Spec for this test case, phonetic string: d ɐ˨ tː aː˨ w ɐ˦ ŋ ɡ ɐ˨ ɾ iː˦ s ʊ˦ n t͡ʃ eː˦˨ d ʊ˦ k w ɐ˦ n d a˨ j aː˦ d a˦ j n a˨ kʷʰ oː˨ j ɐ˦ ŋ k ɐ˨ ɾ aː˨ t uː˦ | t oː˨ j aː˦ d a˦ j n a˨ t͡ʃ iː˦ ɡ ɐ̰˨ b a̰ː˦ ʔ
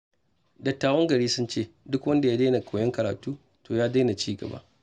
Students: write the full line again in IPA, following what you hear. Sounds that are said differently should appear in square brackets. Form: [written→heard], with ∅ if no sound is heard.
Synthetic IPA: d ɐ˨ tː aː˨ w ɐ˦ ŋ ɡ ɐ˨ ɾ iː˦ s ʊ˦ n t͡ʃ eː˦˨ d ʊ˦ k w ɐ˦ n d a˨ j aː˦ d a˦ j n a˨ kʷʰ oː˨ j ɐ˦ ŋ k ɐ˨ ɾ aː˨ t uː˦ | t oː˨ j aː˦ d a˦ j n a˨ t͡ʃ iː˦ ɡ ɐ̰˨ b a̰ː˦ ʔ